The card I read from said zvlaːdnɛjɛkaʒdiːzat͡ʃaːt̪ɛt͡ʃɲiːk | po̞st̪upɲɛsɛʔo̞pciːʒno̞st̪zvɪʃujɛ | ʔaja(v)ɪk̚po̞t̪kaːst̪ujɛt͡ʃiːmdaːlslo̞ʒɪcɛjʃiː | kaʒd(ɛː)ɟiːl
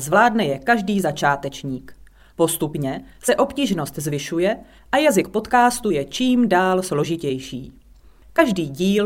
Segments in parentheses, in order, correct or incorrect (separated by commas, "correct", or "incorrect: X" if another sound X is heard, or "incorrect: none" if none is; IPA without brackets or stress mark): incorrect: z, incorrect: iː